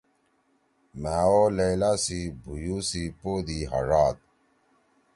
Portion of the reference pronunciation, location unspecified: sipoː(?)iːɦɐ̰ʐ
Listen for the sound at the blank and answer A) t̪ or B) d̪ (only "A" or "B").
B